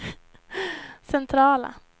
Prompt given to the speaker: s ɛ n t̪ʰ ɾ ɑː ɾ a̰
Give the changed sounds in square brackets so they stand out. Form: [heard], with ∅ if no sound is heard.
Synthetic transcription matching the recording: s ɛ n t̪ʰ ɾ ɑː [l] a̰